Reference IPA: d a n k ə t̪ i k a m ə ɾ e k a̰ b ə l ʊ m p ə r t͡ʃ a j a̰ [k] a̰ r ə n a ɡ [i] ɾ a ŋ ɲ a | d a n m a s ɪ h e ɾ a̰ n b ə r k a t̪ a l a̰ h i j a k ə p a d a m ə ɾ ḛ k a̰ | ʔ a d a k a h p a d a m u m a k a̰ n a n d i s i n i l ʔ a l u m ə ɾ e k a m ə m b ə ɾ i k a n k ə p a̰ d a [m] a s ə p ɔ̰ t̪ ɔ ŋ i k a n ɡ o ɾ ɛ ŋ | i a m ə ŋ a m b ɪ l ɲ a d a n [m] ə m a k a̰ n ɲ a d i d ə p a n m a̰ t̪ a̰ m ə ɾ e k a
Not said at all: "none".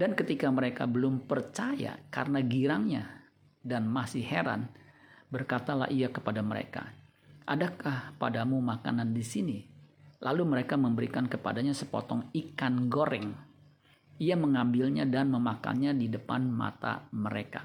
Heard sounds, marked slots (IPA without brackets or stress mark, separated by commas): k, i, ɲ, m